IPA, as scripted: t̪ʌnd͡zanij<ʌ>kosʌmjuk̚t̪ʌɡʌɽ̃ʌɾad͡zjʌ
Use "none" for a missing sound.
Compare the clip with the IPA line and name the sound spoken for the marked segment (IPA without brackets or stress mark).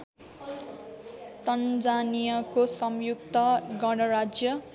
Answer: ʌ